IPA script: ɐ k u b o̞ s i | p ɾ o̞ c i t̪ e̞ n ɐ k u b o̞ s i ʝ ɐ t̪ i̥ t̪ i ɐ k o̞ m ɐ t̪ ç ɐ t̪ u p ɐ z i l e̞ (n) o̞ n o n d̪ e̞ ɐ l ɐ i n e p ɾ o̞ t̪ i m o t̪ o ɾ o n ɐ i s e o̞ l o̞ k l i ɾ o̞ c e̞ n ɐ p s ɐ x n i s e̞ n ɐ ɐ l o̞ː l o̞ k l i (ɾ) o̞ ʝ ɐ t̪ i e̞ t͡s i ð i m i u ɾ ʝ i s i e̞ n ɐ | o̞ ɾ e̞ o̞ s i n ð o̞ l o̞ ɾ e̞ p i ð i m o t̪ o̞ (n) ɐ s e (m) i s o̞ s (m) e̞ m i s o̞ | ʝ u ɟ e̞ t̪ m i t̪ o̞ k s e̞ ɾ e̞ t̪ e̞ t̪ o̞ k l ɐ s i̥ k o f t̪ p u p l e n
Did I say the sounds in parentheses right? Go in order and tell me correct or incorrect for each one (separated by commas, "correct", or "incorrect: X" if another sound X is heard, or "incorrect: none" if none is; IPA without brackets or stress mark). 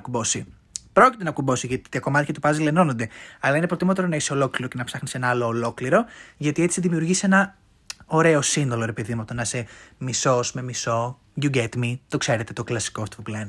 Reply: correct, correct, correct, correct, correct